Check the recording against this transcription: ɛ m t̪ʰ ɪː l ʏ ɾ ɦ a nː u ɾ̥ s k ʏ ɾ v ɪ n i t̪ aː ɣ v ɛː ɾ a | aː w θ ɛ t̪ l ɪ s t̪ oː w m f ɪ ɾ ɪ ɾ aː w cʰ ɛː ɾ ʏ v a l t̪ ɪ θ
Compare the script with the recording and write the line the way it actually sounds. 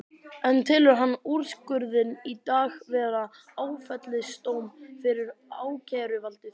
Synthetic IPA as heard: ɛ n t̪ʰ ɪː l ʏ ɾ ɦ a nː u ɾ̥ s k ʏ ɾ ð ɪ n i t̪ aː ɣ v ɛː ɾ a | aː w f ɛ t̪ l ɪ s t̪ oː w m f ɪ ɾ ɪ ɾ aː w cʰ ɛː ɾ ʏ v a l t̪ ɪ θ

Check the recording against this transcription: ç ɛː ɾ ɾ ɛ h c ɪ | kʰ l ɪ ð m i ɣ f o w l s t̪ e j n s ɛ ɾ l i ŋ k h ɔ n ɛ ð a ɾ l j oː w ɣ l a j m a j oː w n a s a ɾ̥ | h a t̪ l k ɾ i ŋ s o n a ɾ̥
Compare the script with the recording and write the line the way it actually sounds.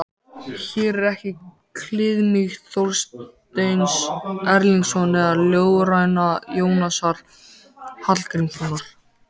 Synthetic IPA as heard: ç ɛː ɾ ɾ ɛ h c ɪ | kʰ l ɪ ð m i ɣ θ o w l s t̪ e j n s ɛ ɾ l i ŋ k s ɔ n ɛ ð a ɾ l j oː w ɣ ɾ a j n a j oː w n a s a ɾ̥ | h a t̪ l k ɾ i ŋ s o n a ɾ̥

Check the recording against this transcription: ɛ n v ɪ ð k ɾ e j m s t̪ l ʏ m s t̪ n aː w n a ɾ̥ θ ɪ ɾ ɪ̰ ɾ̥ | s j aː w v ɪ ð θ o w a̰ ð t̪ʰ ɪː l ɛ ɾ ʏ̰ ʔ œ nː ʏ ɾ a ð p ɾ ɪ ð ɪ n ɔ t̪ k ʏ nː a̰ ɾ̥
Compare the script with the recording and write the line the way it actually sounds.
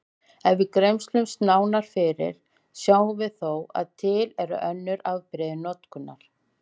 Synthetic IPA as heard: ɛ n v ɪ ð k ɾ e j m s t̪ l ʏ m s t̪ n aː w n a ɾ̥ f ɪ ɾ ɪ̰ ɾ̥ | s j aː w v ɪ ð θ o w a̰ ð t̪ʰ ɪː l ɛ ɾ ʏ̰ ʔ œ nː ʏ ɾ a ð p ɾ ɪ ð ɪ n ɔ t̪ k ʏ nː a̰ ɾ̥

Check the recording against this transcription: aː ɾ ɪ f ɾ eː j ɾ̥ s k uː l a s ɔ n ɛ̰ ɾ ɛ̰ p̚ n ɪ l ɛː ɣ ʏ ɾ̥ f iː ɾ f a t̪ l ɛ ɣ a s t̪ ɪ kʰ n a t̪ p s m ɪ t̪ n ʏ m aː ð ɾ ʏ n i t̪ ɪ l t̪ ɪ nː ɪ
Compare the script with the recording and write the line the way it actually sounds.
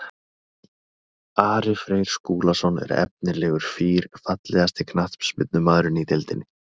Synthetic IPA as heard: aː ɾ ɪ f ɾ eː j ɾ̥ s k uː l a s ɔ n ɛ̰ ɾ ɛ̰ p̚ n ɪ l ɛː ɣ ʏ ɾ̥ f iː ɾ f a t̪ l ɛ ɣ a s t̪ ɪ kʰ n a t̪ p s m ɪ t̪ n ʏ m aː ð ɾ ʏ n i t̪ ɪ l t̪ ɪ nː ɪ

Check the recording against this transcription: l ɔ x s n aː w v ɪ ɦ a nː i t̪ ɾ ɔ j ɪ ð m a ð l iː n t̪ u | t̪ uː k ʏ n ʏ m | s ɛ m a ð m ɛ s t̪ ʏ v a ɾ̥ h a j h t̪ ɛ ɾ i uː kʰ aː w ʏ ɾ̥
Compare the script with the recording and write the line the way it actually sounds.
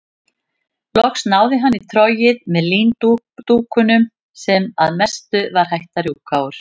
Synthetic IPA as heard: l ɔ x s n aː w ð ɪ ɦ a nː i t̪ʰ ɾ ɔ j ɪ ð m ɛ ð l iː n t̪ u | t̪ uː k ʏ n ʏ m | s ɛ m a ð m ɛ s t̪ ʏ v a ɾ̥ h a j h t̪ a ɾ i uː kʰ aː w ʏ ɾ̥

